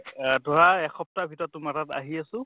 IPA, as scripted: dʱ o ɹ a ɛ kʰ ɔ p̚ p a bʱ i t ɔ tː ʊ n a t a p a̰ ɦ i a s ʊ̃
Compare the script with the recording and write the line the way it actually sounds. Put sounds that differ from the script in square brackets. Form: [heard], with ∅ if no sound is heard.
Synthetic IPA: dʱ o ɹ a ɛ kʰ ɔ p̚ [t] a bʱ i t ɔ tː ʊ [m] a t a [t] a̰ ɦ i a s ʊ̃

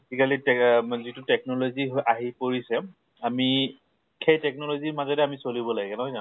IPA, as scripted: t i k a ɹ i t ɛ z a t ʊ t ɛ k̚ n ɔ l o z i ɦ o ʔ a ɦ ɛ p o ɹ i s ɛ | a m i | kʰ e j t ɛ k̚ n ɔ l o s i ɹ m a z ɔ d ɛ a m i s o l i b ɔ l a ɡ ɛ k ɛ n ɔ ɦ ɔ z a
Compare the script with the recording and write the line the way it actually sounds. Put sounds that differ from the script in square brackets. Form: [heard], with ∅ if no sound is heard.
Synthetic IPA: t i k a [l] i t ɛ z [i] t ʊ t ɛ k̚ n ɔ l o z i ɦ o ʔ a ɦ [i] p o ɹ i s ɛ | a m i | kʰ e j t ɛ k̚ n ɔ l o [z] i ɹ m a z ɔ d ɛ a m i s o l i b ɔ l a ɡ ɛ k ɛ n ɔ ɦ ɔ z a

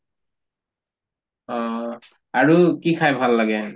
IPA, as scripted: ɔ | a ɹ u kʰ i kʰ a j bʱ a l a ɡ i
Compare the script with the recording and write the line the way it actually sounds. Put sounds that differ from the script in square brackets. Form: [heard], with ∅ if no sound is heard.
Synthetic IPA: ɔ | a ɹ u [k] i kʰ a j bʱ a [lː] a ɡ [ɛ]

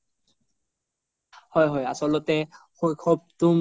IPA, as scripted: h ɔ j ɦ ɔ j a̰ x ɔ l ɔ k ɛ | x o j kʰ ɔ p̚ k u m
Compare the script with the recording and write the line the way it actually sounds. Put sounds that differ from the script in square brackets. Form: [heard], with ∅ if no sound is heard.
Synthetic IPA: h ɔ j ɦ ɔ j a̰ [s] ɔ l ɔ [t] ɛ | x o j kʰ ɔ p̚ [t] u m

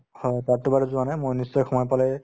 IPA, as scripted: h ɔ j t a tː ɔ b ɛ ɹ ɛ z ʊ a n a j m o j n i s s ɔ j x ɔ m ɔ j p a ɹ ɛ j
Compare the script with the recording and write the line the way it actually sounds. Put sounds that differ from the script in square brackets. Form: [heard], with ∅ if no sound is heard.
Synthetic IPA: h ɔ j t a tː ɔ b [a] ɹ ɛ z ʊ a n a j m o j n i s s ɔ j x ɔ m ɔ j p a [l] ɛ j

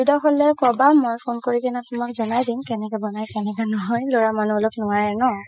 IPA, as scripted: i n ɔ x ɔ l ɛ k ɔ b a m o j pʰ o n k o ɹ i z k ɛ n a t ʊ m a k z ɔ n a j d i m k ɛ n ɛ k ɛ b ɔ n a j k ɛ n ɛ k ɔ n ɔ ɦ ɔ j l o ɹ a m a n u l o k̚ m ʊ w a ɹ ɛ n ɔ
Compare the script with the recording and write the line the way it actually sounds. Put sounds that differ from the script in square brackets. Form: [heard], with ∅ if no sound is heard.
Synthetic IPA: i [d] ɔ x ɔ l ɛ k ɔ b a m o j pʰ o n k o ɹ i [∅] k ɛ n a t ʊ m a k z ɔ n a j d i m k ɛ n ɛ k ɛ b ɔ n a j k ɛ n ɛ k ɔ n ɔ ɦ ɔ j l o ɹ a m a n u l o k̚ [n] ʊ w a ɹ ɛ n ɔ

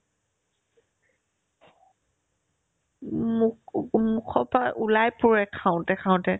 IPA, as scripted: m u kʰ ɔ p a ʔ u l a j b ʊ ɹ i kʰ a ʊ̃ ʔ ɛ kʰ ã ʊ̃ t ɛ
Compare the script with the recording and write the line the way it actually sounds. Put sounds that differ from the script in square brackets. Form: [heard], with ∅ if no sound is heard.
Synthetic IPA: m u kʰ ɔ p a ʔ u l a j [p] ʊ ɹ [ɛ] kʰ a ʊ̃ [t] ɛ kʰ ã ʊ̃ t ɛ

